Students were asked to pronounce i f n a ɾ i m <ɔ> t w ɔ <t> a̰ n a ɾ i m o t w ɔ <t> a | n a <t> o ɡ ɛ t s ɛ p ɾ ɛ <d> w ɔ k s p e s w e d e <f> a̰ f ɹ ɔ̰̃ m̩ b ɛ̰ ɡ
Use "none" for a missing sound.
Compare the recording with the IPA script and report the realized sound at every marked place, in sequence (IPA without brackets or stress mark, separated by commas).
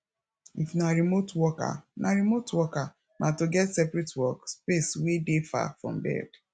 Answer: o, k, k, t, t, f